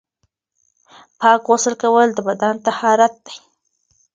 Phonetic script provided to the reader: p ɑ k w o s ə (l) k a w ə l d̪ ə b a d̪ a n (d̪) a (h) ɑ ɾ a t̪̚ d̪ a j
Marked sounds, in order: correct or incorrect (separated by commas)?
correct, incorrect, correct